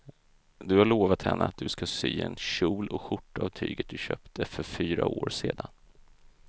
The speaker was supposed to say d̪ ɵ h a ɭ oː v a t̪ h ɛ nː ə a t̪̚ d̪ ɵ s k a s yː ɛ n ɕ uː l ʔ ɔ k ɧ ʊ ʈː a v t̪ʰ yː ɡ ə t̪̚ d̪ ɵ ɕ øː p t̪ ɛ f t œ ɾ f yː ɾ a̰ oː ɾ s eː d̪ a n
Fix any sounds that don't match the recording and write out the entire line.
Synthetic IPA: d̪ ɵ h a ɭ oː v a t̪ h ɛ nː ə a t̪̚ d̪ ɵ s k a s yː ɛ n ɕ uː l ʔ ɔ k ɧ ʊ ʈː a v t̪ʰ yː ɡ ə t̪̚ d̪ ɵ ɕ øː p t̪ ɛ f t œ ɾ f yː ɾ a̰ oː ɾ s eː d̪ a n